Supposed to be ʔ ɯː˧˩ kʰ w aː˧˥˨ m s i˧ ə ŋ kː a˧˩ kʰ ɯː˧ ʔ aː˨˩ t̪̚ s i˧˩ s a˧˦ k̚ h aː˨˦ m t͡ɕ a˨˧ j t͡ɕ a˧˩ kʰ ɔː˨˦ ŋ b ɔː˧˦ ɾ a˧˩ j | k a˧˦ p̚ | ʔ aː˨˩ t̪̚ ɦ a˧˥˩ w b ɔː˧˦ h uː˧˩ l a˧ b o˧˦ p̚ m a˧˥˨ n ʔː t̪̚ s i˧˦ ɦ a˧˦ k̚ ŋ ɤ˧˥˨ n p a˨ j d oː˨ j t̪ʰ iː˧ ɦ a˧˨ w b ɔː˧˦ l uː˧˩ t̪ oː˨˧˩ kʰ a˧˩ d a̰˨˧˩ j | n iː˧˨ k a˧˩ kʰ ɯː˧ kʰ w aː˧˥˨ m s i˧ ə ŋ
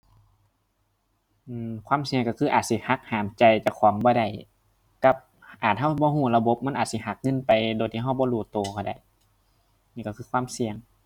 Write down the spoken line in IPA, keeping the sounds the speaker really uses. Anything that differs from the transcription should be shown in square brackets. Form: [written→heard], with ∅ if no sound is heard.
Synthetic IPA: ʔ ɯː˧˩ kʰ w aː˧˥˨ m s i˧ ə ŋ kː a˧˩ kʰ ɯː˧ ʔ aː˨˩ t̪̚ s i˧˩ [s→h] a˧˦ k̚ h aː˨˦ m t͡ɕ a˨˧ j t͡ɕ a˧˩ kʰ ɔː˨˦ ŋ b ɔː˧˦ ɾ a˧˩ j | k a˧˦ p̚ | ʔ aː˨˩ t̪̚ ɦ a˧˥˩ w b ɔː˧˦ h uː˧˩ l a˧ b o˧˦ p̚ m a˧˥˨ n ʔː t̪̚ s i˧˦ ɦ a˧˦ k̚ ŋ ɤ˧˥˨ n p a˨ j d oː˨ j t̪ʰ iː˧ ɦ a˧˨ w b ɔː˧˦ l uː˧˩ t̪ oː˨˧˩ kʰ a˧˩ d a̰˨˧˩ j | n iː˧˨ k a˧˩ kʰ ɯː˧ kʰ w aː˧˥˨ m s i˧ ə ŋ